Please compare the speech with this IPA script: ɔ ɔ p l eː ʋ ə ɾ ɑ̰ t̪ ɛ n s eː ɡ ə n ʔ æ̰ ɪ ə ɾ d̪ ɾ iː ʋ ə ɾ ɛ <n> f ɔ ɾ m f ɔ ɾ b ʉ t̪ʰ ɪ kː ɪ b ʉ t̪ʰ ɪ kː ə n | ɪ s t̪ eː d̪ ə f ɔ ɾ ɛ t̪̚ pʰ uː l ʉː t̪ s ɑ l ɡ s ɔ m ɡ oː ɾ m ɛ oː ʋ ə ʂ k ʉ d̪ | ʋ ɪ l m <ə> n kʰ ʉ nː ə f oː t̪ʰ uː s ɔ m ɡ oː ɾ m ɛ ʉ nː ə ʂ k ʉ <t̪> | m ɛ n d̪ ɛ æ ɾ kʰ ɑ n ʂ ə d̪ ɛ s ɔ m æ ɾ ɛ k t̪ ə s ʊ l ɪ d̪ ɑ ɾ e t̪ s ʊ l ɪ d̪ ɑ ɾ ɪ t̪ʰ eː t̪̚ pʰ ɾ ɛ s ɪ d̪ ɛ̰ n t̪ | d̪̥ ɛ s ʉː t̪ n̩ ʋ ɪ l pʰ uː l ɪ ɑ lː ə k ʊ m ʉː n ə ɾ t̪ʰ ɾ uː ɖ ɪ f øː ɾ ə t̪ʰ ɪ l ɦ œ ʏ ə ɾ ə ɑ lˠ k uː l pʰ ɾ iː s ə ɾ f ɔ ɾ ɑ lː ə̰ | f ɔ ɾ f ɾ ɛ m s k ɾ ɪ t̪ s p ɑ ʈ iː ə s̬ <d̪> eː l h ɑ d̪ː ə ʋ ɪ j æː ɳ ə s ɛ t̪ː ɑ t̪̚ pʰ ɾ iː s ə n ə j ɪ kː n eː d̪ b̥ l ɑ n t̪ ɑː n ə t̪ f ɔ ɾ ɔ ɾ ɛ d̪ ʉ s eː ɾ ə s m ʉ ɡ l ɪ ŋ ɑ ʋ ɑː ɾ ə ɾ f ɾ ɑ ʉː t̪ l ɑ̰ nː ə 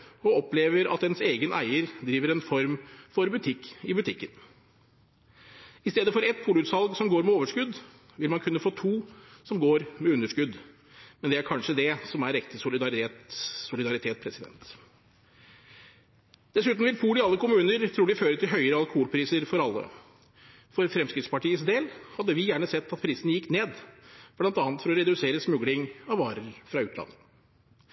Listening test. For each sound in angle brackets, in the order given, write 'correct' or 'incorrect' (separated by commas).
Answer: correct, incorrect, incorrect, correct